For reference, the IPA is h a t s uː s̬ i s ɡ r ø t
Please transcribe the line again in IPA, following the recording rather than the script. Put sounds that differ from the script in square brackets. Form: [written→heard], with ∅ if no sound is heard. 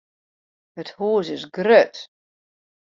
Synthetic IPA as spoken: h [a→ə] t [s→h] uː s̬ [i→ɪ] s ɡ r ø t